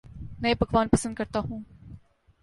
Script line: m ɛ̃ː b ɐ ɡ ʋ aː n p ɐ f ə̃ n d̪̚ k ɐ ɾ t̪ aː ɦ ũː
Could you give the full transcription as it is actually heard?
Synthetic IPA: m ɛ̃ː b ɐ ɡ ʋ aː n p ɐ s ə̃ n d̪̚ k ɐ ɾ t̪ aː ɦ ũː